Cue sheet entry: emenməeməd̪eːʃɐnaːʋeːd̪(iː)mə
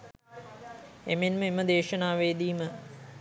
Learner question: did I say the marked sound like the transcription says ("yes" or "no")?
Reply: yes